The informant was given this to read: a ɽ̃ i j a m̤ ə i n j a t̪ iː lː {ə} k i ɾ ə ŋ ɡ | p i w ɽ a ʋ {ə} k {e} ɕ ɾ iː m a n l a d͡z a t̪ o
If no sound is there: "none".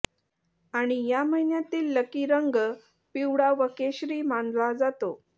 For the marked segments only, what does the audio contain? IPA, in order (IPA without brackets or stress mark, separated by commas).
ə, ə, e